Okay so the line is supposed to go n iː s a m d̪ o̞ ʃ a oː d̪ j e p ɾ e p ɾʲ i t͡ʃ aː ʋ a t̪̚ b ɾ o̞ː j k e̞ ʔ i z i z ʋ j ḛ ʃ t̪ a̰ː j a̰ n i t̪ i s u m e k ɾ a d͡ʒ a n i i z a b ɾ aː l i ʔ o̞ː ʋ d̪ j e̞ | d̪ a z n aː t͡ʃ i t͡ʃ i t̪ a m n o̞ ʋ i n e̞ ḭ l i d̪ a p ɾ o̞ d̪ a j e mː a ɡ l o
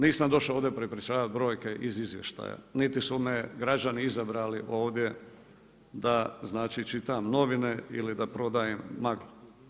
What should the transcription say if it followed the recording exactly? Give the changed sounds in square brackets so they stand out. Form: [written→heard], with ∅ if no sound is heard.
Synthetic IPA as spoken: n iː s a m d̪ o̞ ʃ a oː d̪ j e p ɾ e p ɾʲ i t͡ʃ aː ʋ a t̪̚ b ɾ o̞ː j k e̞ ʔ i z i z ʋ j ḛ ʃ t̪ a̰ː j a̰ n i t̪ i s u m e [k→ɡ] ɾ a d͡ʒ a n i i z a b ɾ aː l i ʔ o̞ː ʋ d̪ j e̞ | d̪ a z n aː t͡ʃ i t͡ʃ i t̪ a m n o̞ ʋ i n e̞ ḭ l i d̪ a p ɾ o̞ d̪ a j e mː a ɡ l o